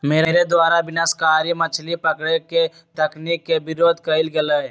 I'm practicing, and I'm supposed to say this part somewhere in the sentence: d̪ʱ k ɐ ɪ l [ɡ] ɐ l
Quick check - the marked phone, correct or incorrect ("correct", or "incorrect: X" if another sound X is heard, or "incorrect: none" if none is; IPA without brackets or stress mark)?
correct